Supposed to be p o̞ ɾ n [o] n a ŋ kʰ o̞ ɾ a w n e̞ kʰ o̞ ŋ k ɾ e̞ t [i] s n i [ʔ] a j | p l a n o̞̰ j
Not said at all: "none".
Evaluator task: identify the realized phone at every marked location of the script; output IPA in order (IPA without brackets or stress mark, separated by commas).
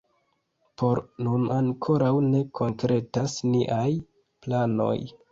u, a, ʔ